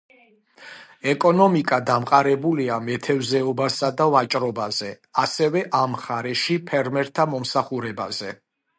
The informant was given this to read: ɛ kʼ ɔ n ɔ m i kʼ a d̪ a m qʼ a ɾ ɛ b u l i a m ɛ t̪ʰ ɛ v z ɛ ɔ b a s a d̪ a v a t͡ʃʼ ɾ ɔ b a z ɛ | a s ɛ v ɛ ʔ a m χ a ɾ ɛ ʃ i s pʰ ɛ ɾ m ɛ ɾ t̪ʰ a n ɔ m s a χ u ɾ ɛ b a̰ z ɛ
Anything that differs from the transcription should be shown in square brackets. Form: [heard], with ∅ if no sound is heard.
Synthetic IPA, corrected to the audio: ɛ kʼ ɔ n ɔ m i kʼ a d̪ a m qʼ a ɾ ɛ b u l i a m ɛ t̪ʰ ɛ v z ɛ ɔ b a s a d̪ a v a t͡ʃʼ ɾ ɔ b a z ɛ | a s ɛ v ɛ ʔ a m χ a ɾ ɛ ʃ i [∅] pʰ ɛ ɾ m ɛ ɾ t̪ʰ a [m] ɔ m s a χ u ɾ ɛ b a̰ z ɛ